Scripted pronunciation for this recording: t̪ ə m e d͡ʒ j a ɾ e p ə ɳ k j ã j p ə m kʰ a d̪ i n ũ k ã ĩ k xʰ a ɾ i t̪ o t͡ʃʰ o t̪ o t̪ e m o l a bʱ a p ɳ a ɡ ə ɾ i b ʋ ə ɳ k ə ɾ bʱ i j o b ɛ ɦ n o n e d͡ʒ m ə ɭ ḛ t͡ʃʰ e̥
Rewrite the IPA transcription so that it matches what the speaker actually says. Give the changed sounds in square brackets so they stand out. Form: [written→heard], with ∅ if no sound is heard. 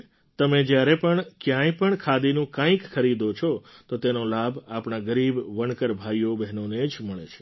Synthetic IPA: t̪ ə m e d͡ʒ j a ɾ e p ə ɳ k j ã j p ə [m→ɳ] kʰ a d̪ i n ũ k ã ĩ k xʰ [a→ə] ɾ i [t̪→d̪] o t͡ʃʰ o t̪ o t̪ e [m→n] o l a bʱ a p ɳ a ɡ ə ɾ i b ʋ ə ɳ k ə ɾ bʱ [i→a] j o b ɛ ɦ n o n e d͡ʒ m ə ɭ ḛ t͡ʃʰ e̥